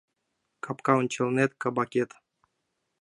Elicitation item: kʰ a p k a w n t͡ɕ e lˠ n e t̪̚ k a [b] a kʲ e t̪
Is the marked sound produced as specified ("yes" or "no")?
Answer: yes